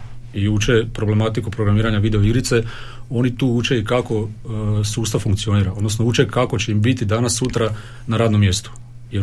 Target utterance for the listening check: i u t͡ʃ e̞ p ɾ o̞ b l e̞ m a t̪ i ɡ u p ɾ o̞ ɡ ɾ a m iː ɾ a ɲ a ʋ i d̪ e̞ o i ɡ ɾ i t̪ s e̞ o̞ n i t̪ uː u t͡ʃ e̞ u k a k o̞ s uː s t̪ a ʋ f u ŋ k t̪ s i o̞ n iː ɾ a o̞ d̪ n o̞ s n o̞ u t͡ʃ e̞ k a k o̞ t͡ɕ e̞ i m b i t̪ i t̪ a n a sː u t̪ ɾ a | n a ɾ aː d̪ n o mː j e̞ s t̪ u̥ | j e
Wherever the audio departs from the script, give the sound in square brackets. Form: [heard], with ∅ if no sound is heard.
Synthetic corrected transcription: i u t͡ʃ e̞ p ɾ o̞ b l e̞ m a t̪ i [k] u p ɾ o̞ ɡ ɾ a m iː ɾ a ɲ a ʋ i d̪ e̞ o i ɡ ɾ i t̪ s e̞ o̞ n i t̪ uː u t͡ʃ e̞ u k a k o̞ s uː s t̪ a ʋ f u ŋ k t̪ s i o̞ n iː ɾ a o̞ d̪ n o̞ s n o̞ u t͡ʃ e̞ k a k o̞ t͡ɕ e̞ i m b i t̪ i [d̪] a n a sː u t̪ ɾ a | n a ɾ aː d̪ n o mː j e̞ s t̪ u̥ | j e